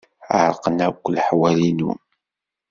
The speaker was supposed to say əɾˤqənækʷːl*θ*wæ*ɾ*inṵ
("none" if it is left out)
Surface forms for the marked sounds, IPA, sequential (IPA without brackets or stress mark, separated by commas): ħ, l